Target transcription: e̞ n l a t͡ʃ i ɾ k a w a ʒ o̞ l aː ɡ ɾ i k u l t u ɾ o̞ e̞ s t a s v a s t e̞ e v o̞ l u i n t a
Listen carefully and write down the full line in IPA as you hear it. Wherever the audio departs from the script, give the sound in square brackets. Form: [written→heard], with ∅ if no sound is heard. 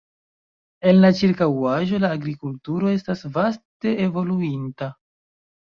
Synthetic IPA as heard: e̞ n l a t͡ʃ i ɾ k a w a ʒ o̞ l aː ɡ ɾ i k u l t u ɾ o̞ e̞ s t a s v a s t e̞ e v o̞ l u i n t a